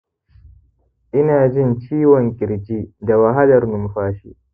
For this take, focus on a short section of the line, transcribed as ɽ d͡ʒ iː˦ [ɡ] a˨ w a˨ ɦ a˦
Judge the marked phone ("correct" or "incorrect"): incorrect